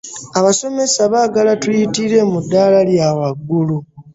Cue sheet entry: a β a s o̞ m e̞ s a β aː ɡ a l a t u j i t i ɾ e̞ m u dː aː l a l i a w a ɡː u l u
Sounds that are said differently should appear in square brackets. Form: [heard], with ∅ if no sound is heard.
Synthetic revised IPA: a β a s o̞ m e̞ s a β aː ɡ a l a t u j i t i ɾ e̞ m u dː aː l a l [j] a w a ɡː u l u